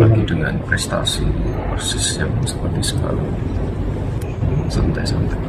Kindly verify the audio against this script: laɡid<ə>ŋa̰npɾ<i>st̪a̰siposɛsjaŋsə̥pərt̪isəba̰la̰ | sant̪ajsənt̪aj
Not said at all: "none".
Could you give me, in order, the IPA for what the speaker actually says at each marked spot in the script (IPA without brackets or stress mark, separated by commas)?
ə, ɛ